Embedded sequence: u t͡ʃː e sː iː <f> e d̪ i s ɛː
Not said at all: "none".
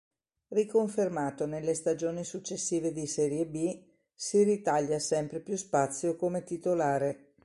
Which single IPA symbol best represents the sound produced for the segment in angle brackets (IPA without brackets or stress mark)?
v